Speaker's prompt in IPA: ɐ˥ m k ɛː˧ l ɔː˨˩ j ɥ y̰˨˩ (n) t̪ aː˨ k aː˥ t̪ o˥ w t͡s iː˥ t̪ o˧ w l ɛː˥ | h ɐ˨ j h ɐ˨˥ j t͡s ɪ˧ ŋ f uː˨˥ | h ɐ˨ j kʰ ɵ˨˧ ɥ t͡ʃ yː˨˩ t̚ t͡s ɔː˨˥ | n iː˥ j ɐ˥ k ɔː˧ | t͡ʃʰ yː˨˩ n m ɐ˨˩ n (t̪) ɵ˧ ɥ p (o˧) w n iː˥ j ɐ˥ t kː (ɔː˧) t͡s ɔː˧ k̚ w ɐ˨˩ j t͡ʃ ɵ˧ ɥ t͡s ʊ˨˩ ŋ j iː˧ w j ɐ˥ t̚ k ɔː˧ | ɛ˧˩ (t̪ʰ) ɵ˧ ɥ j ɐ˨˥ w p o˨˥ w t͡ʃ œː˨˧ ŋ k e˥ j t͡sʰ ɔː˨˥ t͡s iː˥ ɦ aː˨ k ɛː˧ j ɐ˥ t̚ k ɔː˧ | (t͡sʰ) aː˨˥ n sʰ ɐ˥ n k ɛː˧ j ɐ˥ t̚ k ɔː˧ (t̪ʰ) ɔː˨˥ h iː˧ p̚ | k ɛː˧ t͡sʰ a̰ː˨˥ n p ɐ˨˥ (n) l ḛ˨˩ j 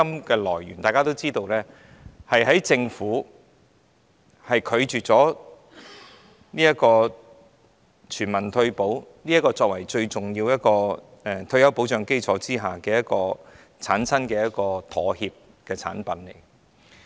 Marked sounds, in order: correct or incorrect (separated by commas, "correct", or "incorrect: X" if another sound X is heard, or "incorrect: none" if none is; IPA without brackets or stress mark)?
correct, incorrect: t̪ʰ, incorrect: o˨˥, correct, correct, correct, correct, correct